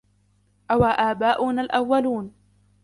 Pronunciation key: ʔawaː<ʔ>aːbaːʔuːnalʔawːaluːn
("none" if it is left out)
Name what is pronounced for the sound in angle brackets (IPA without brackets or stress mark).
ʔ